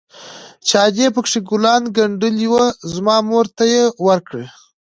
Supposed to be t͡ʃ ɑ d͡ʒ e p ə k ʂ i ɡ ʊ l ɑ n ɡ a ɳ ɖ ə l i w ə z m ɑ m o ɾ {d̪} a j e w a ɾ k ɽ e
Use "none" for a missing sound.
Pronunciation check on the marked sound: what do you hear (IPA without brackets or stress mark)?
t̪